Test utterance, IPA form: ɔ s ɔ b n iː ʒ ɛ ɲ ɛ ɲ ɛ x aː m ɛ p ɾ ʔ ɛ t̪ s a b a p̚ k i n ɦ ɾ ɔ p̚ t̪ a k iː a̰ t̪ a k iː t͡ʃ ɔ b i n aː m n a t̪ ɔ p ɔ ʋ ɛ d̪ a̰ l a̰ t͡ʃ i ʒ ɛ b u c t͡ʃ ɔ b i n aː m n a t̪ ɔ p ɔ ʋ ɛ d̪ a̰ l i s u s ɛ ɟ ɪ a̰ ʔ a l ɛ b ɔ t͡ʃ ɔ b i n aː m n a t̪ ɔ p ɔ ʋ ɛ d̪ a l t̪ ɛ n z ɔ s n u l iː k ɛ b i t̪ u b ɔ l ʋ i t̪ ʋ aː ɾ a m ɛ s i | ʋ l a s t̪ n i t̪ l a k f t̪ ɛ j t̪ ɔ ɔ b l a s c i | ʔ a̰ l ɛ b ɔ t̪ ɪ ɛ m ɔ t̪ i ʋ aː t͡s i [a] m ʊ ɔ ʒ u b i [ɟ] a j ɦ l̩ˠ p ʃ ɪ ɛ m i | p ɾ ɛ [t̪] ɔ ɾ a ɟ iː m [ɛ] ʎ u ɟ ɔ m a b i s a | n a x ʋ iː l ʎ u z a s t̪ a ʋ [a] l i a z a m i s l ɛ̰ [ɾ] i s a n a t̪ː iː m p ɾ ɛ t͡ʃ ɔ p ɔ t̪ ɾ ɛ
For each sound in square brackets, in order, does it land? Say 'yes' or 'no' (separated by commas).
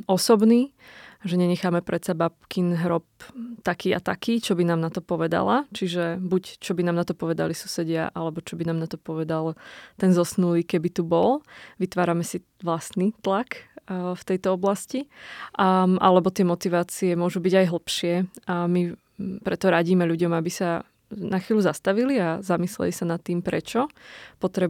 no, yes, yes, yes, no, no